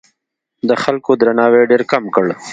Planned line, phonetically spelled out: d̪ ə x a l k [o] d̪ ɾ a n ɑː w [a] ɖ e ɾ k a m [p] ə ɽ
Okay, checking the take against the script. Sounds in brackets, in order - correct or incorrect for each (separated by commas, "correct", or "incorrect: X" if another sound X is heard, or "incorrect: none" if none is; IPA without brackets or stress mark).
correct, incorrect: e, incorrect: k